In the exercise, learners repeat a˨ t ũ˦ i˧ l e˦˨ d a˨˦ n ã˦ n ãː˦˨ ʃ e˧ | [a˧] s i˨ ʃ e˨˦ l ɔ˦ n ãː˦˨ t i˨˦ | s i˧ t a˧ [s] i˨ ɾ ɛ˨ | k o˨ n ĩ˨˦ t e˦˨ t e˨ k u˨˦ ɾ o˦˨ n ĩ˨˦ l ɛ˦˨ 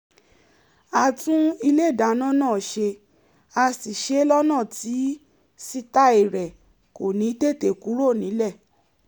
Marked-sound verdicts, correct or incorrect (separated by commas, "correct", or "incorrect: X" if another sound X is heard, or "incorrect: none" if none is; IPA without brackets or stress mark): correct, incorrect: none